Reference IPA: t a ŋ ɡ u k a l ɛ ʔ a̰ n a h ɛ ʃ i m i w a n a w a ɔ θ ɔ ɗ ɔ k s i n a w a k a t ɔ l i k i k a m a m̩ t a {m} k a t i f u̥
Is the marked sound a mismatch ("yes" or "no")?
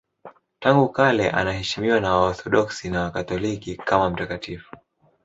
yes